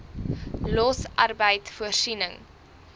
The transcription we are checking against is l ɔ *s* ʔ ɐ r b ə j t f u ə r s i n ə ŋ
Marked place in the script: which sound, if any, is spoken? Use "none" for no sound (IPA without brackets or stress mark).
s